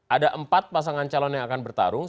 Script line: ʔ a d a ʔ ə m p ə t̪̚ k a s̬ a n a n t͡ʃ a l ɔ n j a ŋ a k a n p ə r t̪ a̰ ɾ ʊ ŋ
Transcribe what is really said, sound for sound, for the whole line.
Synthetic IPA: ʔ a d a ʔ ə m p a t̪̚ p a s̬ a ŋ a n t͡ʃ a l ɔ n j a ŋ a k a n b ə r t̪ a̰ ɾ ʊ ŋ